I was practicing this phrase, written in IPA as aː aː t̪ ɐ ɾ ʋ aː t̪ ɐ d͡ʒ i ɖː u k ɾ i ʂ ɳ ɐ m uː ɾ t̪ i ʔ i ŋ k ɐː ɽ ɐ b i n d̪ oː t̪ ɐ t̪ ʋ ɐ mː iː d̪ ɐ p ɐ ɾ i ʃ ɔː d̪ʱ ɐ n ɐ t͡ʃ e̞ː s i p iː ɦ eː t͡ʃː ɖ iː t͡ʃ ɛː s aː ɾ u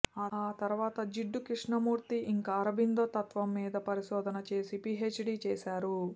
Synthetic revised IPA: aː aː t̪ ɐ ɾ ʋ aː t̪ ɐ d͡ʒ i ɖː u k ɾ i ʂ ɳ ɐ m uː ɾ t̪ i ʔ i ŋ k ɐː ɾ ɐ b i n d̪ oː t̪ ɐ t̪ ʋ ɐ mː iː d̪ ɐ p ɐ ɾ i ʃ ɔː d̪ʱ ɐ n ɐ t͡ʃ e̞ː s i p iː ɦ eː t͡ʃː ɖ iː t͡ʃ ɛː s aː ɾ u

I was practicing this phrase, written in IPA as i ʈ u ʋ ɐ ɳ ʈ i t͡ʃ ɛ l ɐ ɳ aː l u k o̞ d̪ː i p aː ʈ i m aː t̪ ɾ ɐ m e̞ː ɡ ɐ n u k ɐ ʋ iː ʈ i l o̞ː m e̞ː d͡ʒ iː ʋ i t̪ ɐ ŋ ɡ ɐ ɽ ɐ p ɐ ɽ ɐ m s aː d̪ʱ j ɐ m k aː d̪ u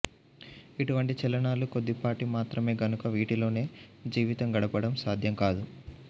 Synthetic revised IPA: i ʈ u ʋ ɐ ɳ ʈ i t͡ʃ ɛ l ɐ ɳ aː l u k o̞ d̪ː i p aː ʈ i m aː t̪ ɾ ɐ m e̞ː ɡ ɐ n u k ɐ ʋ iː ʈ i l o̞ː n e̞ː d͡ʒ iː ʋ i t̪ ɐ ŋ ɡ ɐ ɽ ɐ p ɐ ɽ ɐ m s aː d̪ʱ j ɐ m k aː d̪ u

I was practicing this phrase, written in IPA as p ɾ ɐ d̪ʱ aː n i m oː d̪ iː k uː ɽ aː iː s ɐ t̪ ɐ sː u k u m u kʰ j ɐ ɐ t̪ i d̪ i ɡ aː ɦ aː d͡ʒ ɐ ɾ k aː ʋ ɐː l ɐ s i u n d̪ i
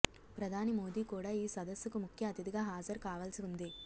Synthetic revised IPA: p ɾ ɐ d̪ʱ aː n i m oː d̪ iː k uː ɽ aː iː s ɐ d̪ ɐ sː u k u m u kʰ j ɐ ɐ t̪ i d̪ i ɡ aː ɦ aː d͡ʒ ɐ ɾ k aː ʋ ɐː l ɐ s i u n d̪ i

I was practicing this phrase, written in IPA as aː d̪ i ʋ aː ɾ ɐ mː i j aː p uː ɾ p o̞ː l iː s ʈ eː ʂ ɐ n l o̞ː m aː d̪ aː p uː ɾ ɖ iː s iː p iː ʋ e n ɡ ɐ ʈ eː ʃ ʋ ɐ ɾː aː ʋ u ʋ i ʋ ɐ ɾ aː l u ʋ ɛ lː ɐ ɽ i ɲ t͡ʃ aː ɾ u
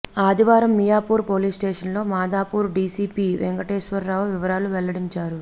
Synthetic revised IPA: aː d̪ i ʋ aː ɾ ɐ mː i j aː p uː ɾ p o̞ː l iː s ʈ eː ʂ ɐ n l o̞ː m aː d̪ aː p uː ɾ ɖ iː s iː p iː ʋ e ŋ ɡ ɐ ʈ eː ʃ ʋ ɐ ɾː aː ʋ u ʋ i ʋ ɐ ɾ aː l u ʋ ɛ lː ɐ ɽ i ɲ t͡ʃ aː ɾ u

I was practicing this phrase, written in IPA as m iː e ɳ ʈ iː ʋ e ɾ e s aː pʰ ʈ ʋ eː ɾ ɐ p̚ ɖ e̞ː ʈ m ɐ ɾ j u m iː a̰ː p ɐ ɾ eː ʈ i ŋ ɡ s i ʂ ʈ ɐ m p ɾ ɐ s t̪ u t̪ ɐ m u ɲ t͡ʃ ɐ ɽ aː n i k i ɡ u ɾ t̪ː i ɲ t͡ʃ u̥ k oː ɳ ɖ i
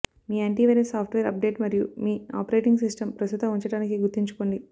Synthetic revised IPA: m iː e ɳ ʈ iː ʋ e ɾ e s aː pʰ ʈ ʋ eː ɾ ɐ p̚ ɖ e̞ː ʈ m ɐ ɾ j u m iː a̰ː p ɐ ɾ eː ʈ i ŋ ɡ s i s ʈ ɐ m p ɾ ɐ s t̪ u t̪ ɐ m u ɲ t͡ʃ ɐ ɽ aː n i k i ɡ u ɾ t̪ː i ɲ t͡ʃ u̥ k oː ɳ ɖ i

